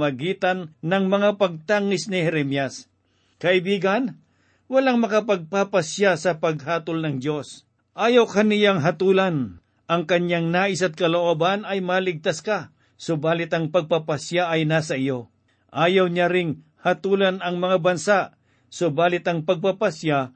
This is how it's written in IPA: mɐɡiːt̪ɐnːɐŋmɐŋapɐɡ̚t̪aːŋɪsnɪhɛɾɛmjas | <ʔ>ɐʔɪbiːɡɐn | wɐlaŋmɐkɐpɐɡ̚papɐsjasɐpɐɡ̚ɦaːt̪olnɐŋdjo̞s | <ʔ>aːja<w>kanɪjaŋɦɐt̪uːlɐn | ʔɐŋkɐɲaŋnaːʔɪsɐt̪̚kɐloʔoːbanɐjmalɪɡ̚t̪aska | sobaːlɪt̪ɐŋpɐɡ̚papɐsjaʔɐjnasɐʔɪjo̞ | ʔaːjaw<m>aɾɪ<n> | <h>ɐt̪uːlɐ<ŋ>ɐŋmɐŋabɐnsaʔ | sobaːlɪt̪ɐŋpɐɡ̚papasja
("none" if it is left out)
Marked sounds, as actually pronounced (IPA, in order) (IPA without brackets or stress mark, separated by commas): k, ʔ, w, ɲ, ŋ, h, n